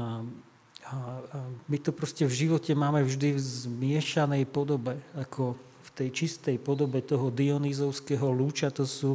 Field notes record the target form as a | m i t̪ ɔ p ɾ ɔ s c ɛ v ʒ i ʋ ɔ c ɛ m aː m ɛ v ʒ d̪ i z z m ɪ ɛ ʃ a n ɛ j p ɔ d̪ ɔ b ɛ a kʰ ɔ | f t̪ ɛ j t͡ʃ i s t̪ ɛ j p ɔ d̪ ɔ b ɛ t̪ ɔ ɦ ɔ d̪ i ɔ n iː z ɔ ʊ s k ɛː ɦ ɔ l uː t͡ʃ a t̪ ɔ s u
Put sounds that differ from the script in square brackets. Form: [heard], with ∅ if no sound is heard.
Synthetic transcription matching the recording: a | m i t̪ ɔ p ɾ ɔ s c ɛ v ʒ i ʋ ɔ c ɛ m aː m ɛ v ʒ d̪ i [v] z m ɪ ɛ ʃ a n ɛ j p ɔ d̪ ɔ b ɛ a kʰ ɔ | f t̪ ɛ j t͡ʃ i s t̪ ɛ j p ɔ d̪ ɔ b ɛ t̪ ɔ ɦ ɔ d̪ i ɔ n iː z ɔ ʊ s k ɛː ɦ ɔ l uː t͡ʃ a t̪ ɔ s u